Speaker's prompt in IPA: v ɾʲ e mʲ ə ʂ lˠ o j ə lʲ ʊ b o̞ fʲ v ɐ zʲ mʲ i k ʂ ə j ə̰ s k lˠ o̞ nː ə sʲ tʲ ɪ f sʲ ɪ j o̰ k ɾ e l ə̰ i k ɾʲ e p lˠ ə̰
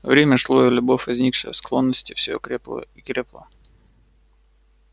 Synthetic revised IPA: v ɾʲ e mʲ ə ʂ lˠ o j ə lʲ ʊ b o̞ fʲ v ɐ zʲ nʲ i k ʂ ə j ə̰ s k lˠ o̞ nː ə sʲ tʲ ɪ f sʲ ɪ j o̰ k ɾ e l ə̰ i k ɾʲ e p lˠ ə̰